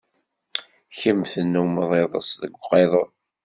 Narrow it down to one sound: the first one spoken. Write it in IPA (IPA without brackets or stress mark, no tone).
ç